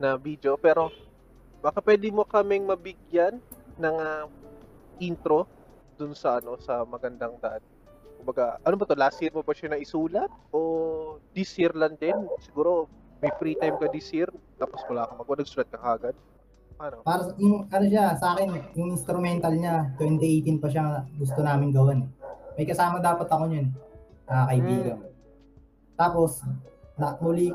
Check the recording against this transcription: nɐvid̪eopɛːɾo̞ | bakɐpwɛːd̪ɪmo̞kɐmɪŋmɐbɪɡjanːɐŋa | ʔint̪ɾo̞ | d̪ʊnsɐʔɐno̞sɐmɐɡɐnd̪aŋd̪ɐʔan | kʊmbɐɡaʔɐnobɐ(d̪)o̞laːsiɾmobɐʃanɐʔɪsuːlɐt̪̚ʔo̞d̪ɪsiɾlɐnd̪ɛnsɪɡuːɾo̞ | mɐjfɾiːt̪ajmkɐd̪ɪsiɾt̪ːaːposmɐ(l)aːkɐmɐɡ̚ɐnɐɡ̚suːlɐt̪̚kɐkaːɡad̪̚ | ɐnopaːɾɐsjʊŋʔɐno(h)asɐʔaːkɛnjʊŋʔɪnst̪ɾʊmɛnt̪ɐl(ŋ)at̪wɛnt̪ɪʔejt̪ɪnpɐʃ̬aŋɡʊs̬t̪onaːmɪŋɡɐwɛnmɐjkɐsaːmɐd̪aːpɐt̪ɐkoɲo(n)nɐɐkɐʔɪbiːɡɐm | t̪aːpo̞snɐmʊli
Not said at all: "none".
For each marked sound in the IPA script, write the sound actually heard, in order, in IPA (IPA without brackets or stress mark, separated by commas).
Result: t̪, l, ʃ, ɲ, n